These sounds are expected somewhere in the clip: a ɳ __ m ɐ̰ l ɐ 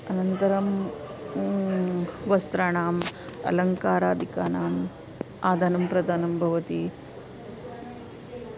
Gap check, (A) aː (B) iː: A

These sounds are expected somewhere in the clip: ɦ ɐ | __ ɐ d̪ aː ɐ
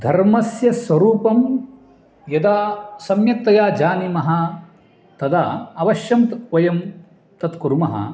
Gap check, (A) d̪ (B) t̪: B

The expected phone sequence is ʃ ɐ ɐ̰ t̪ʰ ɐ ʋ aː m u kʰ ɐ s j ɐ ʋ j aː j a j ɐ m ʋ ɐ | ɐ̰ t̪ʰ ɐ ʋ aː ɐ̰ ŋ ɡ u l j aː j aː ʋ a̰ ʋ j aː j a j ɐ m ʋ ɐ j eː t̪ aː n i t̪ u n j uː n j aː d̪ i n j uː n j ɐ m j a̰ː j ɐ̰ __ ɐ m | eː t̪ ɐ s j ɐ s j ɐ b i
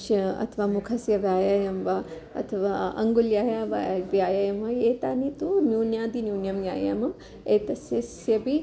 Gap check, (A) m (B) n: A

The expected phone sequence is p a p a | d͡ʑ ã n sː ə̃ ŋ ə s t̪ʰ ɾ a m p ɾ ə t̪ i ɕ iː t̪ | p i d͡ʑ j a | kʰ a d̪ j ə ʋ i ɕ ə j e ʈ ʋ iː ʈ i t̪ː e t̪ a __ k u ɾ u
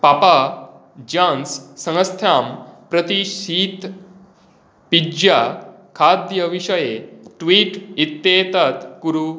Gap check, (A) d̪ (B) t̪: B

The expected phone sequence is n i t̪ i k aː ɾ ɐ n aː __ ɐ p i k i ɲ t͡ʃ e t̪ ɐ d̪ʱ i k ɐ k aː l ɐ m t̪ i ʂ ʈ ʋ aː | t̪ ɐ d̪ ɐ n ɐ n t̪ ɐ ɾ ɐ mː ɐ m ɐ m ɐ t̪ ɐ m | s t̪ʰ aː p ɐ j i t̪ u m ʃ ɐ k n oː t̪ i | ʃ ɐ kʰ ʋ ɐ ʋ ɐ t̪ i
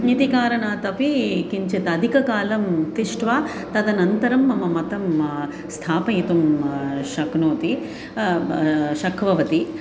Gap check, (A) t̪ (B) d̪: A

